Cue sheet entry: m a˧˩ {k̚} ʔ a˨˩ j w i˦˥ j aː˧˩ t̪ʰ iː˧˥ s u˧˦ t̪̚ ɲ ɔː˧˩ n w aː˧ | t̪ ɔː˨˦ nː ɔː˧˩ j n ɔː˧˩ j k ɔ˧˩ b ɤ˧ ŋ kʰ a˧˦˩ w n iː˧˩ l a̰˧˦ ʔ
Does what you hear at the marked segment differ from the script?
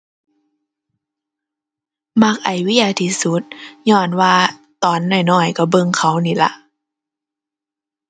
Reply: no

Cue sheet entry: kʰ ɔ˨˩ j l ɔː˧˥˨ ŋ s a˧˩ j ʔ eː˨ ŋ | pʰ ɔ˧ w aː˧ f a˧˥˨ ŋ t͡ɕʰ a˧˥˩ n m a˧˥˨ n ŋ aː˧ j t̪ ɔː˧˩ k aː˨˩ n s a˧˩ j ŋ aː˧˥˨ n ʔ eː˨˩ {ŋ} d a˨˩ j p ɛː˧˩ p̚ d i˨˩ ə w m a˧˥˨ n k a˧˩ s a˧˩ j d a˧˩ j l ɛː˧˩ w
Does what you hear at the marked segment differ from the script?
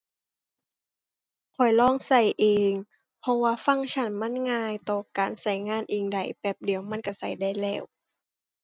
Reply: no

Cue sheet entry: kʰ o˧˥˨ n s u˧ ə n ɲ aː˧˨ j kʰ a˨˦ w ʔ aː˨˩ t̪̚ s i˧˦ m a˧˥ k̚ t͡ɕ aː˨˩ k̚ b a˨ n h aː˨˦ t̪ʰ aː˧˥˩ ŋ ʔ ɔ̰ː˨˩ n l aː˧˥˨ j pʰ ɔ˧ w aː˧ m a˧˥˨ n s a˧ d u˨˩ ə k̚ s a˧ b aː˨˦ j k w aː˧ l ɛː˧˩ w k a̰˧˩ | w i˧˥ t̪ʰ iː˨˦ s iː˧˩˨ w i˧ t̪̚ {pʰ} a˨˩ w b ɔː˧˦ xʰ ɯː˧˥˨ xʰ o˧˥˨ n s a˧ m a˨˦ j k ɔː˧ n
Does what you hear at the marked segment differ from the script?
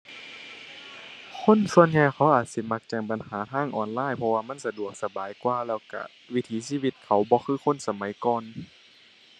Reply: yes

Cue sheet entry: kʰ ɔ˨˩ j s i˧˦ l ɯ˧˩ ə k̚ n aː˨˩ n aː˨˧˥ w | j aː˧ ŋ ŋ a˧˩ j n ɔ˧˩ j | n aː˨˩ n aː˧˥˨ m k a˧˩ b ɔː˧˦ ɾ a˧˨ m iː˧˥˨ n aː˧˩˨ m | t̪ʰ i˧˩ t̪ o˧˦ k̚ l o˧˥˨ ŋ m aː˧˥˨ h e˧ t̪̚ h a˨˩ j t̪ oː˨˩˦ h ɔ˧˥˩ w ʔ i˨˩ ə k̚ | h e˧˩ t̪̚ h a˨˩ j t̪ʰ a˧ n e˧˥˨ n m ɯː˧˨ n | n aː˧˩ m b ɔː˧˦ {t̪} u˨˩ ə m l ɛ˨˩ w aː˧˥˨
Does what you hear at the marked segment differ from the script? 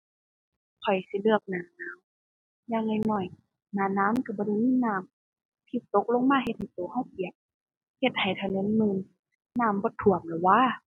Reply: yes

